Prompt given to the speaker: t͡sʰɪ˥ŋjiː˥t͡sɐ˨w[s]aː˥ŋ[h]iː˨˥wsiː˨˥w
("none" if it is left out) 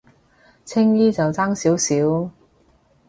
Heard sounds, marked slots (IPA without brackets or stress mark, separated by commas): t͡s, s